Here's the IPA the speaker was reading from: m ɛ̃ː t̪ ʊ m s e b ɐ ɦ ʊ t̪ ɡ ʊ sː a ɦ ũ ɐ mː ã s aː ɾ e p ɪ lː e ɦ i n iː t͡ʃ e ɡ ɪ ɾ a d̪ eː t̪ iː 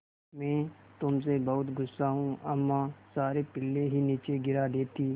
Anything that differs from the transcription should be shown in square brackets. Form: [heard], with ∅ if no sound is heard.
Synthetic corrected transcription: m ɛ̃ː t̪ ʊ m s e b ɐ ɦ ʊ t̪ ɡ ʊ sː a ɦ ũ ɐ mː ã s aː ɾ e p ɪ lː e ɦ i n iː t͡ʃ e ɡ ɪ ɾ a d̪ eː t̪ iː